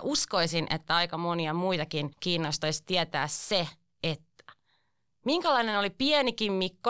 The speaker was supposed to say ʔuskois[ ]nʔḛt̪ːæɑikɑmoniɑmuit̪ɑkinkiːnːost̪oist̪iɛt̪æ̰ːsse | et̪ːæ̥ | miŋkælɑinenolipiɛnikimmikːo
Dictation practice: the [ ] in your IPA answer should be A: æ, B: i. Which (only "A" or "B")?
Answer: B